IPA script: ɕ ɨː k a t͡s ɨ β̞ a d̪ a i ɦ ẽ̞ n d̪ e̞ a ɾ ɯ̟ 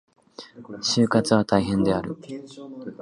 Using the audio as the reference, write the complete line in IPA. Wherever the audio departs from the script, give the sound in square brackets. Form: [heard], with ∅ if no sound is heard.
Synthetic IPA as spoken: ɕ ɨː k a t͡s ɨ β̞ a [t̪] a i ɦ ẽ̞ n d̪ e̞ a ɾ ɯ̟